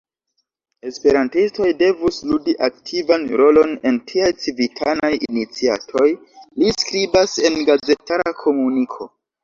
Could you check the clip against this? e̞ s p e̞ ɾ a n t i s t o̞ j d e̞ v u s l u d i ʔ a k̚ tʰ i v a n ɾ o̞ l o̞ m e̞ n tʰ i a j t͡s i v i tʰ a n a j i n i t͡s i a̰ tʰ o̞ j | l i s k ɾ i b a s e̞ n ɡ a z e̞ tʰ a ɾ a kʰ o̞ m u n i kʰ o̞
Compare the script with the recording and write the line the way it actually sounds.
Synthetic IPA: e̞ s p e̞ ɾ a n t i s t o̞ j d e̞ v u s l u d i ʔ a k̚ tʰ i v a n ɾ o̞ l o̞ n e̞ n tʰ i a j t͡s i v i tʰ a n a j i n i t͡s i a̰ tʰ o̞ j | l i s k ɾ i b a s e̞ n ɡ a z e̞ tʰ a ɾ a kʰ o̞ m u n i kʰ o̞